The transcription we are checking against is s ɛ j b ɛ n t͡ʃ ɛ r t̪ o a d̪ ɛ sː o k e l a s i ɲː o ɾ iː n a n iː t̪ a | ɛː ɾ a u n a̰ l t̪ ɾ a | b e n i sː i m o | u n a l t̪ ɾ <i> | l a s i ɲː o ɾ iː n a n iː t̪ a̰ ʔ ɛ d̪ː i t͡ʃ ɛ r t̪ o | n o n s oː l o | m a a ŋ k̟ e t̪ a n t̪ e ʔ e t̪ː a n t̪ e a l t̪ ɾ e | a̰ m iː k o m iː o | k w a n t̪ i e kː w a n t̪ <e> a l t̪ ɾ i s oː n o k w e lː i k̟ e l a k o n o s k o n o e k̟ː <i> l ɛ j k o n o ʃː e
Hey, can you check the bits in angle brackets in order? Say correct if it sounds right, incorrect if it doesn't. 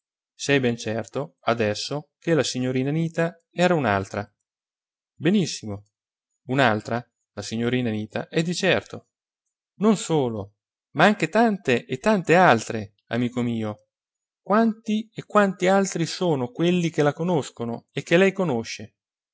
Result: incorrect: a, incorrect: i, incorrect: e

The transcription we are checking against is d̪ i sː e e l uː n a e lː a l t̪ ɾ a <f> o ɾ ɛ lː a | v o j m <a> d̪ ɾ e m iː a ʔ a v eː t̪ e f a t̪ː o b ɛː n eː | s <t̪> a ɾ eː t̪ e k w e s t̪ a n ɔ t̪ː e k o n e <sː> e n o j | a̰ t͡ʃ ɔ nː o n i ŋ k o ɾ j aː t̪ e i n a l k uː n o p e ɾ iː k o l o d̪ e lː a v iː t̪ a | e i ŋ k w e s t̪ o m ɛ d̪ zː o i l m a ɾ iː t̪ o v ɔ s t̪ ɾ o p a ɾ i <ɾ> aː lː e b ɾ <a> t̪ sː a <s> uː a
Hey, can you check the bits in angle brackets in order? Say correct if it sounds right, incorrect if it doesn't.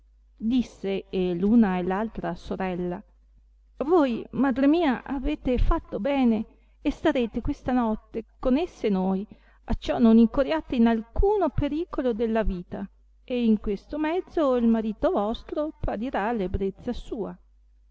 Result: incorrect: s, correct, correct, correct, correct, incorrect: e, correct

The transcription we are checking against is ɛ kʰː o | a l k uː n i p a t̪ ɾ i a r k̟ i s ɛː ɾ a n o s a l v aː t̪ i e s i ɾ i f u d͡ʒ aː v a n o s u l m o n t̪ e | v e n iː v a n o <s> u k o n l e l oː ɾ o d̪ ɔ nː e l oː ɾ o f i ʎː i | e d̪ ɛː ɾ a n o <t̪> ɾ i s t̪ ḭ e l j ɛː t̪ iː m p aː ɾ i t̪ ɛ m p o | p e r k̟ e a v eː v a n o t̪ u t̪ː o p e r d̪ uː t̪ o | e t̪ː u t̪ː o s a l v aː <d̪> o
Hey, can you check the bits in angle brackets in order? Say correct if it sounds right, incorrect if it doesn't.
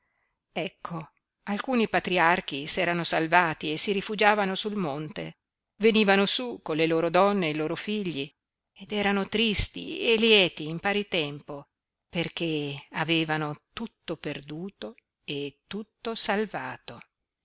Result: correct, correct, incorrect: t̪

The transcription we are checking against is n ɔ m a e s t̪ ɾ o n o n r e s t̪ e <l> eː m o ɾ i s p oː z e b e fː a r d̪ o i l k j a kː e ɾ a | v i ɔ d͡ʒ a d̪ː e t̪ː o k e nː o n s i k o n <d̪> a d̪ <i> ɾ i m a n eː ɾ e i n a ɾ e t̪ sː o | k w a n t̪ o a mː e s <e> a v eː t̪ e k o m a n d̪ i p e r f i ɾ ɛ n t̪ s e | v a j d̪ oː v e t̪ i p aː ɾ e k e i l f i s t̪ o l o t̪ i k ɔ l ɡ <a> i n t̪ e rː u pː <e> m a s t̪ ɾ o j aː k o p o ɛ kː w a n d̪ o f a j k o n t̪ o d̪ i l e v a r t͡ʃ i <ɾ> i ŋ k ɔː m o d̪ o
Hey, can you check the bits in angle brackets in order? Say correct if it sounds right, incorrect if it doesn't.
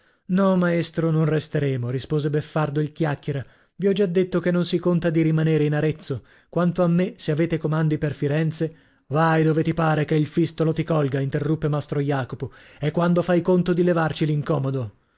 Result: incorrect: ɾ, incorrect: t̪, correct, correct, correct, correct, incorrect: l

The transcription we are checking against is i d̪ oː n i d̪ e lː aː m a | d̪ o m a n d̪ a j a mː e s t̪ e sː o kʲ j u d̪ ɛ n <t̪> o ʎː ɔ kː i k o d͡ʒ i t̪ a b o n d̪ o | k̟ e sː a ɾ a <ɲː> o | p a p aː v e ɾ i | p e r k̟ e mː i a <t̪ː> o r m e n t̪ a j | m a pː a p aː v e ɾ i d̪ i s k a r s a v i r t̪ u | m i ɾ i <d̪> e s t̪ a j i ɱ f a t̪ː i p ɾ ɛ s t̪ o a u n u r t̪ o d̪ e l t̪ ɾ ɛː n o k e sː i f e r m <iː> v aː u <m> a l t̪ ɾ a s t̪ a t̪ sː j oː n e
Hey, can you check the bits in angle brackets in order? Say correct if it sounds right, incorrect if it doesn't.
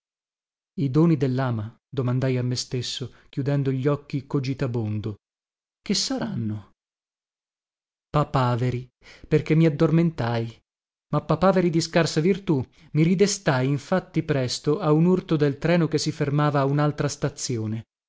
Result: incorrect: d̪, incorrect: nː, incorrect: d̪ː, correct, incorrect: aː, incorrect: n

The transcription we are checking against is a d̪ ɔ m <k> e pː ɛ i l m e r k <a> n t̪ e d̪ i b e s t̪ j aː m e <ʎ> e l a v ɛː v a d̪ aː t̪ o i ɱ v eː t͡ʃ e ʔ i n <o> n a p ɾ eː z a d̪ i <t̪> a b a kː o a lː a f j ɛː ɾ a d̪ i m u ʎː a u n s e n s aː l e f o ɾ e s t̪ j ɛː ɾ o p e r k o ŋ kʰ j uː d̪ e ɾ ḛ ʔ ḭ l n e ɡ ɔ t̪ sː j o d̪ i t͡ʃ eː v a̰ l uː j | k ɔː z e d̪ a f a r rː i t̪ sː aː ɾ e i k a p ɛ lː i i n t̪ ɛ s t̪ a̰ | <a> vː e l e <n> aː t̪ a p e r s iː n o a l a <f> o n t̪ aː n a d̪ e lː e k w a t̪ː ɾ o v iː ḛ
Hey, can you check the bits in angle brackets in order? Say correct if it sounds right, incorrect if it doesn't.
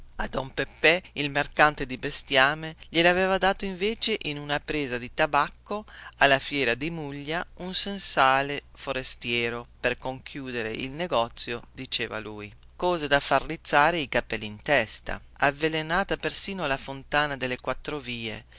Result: incorrect: p, correct, correct, incorrect: u, correct, correct, correct, correct

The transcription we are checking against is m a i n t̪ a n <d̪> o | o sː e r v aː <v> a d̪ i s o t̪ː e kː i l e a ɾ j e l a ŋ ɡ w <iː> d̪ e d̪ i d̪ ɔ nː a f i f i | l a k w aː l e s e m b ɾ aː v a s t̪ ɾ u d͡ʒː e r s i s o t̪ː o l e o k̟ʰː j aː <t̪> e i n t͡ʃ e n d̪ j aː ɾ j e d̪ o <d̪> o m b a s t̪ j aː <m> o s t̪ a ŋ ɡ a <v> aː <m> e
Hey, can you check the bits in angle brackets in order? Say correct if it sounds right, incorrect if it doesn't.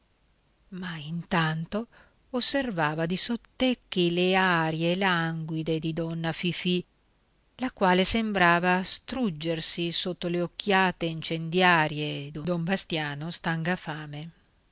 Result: incorrect: t̪, correct, incorrect: i, correct, correct, incorrect: n, incorrect: f, correct

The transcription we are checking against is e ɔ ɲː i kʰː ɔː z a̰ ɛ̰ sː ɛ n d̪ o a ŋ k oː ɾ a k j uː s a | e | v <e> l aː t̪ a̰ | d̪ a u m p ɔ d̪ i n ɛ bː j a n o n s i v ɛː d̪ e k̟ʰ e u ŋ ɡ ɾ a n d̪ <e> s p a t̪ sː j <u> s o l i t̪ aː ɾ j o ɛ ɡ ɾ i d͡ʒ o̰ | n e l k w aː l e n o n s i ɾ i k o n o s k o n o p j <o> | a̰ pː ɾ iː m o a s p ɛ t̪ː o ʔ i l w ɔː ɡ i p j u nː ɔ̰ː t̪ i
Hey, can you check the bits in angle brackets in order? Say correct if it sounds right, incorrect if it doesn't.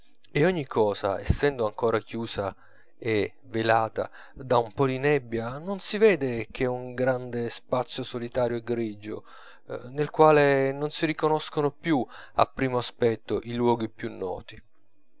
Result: correct, correct, incorrect: o, incorrect: u

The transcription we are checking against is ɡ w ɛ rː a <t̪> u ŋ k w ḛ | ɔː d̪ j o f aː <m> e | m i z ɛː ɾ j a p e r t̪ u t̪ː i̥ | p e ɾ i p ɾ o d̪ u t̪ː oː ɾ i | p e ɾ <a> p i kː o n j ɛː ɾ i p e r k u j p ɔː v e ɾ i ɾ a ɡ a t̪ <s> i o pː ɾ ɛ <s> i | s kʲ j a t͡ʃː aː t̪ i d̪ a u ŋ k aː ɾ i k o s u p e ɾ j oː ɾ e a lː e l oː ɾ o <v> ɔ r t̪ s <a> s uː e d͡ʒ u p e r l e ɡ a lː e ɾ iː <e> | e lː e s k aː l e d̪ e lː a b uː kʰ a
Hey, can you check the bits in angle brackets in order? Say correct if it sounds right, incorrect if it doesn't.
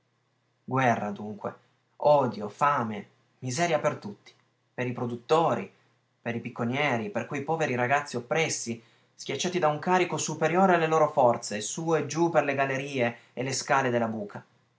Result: incorrect: d̪, correct, incorrect: i, incorrect: sː, incorrect: sː, incorrect: f, incorrect: e, correct

